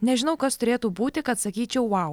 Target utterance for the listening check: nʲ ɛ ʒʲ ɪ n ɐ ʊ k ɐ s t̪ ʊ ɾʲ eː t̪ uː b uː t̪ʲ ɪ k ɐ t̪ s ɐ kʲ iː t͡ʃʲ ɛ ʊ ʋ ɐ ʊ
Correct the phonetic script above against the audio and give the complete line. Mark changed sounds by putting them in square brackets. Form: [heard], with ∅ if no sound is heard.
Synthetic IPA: nʲ ɛ ʒʲ ɪ n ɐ ʊ k ɐ s t̪ ʊ ɾʲ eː t̪ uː b uː t̪ʲ ɪ k ɐ t̪ s ɐ kʲ iː t͡ʃʲ ɛ ʊ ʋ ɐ ʊ